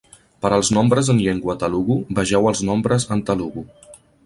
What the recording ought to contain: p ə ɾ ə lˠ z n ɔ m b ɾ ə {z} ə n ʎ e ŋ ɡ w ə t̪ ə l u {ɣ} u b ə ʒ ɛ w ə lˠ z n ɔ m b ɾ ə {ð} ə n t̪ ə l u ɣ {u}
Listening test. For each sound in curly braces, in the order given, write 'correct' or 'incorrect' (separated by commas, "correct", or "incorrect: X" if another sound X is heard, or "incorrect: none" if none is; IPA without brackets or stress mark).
correct, correct, incorrect: z, correct